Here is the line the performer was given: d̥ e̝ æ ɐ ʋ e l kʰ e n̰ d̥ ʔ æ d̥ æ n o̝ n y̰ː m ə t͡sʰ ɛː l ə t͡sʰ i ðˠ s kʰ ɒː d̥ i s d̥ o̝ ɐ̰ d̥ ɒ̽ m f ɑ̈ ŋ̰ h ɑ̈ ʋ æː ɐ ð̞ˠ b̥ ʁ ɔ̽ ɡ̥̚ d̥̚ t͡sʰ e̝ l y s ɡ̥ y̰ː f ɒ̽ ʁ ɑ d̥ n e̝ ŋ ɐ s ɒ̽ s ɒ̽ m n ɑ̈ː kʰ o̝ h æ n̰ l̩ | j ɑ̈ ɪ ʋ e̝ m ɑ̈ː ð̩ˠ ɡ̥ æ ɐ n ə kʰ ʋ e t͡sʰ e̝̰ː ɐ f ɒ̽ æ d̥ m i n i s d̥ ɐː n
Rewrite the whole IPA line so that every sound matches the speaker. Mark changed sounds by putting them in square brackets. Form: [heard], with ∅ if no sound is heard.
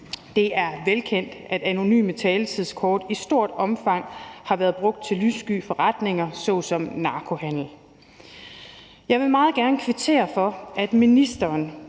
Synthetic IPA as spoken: d̥ e̝ æ ɐ ʋ e l kʰ e n̰ d̥ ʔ æ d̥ æ n o̝ n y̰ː m ə t͡sʰ ɛː l ə t͡sʰ i ðˠ s kʰ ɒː d̥ i s d̥ o̝ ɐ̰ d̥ ɒ̽ m f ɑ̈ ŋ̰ h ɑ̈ ʋ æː ɐ ð̞ˠ b̥ ʁ ɔ̽ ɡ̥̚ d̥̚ t͡sʰ e̝ l y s ɡ̥ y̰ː f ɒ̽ ʁ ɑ d̥ n e̝ ŋ ɐ s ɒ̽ s ɒ̽ m n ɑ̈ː kʰ o̝ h æ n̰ l̩ | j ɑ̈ ɪ ʋ e̝ m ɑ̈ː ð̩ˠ ɡ̥ æ ɐ n ə kʰ ʋ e t͡sʰ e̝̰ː ɐ f ɒ̽ æ d̥ m i n i s d̥ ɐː n